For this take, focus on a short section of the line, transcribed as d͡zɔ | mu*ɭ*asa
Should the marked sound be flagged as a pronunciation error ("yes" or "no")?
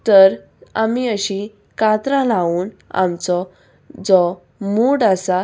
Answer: yes